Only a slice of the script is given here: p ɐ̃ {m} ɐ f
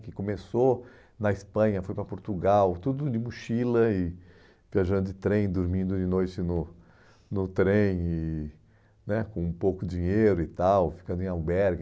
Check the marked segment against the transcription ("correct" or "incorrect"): incorrect